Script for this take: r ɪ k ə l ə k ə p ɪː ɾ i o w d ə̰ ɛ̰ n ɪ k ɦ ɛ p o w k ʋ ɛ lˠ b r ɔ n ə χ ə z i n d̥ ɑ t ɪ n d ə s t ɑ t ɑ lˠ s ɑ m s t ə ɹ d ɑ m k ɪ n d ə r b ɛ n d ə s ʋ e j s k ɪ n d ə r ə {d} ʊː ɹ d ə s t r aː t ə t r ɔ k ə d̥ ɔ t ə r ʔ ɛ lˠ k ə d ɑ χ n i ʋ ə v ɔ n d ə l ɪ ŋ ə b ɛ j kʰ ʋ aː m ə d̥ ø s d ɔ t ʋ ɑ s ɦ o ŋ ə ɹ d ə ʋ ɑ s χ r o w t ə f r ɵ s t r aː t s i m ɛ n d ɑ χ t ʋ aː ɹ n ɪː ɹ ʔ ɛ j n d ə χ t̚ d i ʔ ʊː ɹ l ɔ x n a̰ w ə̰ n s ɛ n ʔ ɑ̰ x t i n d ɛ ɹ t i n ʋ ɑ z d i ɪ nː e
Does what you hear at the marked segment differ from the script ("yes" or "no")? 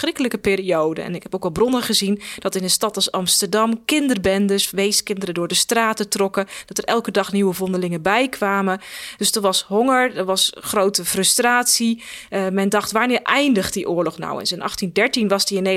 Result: no